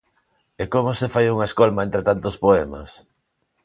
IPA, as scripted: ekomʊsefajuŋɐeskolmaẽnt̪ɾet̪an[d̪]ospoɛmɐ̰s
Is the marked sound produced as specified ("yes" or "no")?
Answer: no